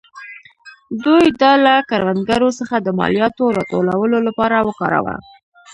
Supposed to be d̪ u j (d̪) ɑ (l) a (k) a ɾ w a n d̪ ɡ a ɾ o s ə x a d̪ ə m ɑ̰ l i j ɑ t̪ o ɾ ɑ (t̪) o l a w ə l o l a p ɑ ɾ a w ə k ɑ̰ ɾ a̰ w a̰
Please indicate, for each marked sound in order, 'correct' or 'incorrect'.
correct, correct, correct, correct

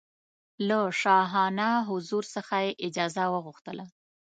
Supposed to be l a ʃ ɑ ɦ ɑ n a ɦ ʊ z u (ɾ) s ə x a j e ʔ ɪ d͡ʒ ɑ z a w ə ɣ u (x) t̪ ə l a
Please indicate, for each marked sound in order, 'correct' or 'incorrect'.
correct, correct

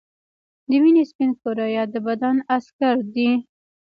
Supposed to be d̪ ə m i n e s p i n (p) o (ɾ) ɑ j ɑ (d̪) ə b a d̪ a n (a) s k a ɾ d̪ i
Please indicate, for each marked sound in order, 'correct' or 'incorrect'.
incorrect, correct, correct, correct

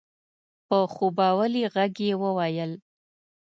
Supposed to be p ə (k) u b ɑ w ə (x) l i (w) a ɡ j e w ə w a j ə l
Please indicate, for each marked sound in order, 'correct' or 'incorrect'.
incorrect, incorrect, incorrect

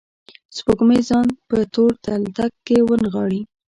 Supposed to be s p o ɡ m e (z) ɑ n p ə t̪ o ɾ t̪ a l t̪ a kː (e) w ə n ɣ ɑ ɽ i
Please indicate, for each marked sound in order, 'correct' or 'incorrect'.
correct, correct

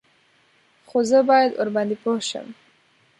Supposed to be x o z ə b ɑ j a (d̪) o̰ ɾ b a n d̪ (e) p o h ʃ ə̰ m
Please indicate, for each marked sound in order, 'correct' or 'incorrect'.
correct, incorrect

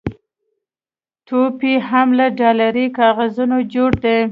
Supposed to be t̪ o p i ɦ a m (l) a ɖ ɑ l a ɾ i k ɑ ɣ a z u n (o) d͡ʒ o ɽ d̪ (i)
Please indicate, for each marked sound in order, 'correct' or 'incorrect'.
correct, correct, incorrect

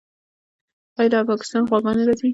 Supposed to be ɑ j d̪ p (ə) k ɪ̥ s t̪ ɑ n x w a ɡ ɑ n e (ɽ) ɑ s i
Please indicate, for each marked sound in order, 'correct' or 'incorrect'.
incorrect, incorrect

